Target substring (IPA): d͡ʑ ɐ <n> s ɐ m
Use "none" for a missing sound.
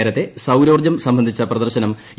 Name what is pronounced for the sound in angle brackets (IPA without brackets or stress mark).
m